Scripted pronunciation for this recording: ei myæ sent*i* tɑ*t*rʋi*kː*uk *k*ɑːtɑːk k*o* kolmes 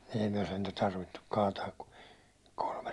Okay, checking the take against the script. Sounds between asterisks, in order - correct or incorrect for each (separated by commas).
incorrect, incorrect, incorrect, correct, incorrect